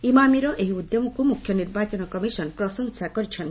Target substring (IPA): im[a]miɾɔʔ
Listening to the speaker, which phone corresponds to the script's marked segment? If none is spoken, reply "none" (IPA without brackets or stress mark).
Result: a